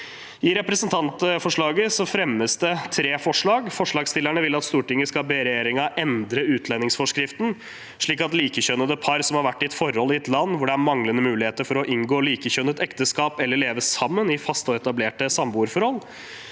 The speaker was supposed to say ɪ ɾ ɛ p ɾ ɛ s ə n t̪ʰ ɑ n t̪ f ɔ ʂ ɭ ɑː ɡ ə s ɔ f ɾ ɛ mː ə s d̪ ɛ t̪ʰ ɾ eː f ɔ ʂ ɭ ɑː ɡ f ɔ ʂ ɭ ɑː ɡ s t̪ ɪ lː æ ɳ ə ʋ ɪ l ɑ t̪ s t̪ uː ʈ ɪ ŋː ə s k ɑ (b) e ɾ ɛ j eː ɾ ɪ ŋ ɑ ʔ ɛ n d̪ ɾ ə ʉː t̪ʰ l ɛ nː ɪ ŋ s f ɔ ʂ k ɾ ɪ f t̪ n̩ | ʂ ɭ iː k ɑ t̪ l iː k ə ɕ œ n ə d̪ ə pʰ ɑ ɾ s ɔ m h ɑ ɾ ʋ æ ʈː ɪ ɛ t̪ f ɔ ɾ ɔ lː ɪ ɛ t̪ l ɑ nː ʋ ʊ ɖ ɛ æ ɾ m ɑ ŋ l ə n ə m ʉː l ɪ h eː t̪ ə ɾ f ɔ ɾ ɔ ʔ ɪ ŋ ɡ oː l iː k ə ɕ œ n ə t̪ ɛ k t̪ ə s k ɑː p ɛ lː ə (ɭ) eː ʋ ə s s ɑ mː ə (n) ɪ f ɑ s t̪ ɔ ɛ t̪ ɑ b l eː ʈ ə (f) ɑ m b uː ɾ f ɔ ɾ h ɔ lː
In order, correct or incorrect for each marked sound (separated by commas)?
correct, correct, correct, incorrect